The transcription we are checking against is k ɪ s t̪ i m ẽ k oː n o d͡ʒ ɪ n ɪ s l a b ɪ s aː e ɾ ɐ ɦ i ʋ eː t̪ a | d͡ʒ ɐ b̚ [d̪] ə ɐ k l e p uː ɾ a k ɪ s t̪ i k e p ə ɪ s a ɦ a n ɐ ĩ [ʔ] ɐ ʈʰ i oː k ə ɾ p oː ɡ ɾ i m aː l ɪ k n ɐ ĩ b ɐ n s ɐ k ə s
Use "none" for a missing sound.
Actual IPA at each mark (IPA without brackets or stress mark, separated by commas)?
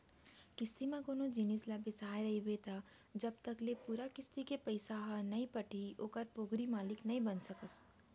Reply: t̪, p